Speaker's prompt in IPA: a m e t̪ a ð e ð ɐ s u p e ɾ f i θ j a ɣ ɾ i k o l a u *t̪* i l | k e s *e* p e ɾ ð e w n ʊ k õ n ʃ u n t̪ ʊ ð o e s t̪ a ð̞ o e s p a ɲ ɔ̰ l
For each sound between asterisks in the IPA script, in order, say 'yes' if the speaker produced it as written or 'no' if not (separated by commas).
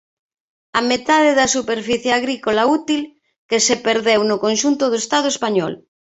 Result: yes, yes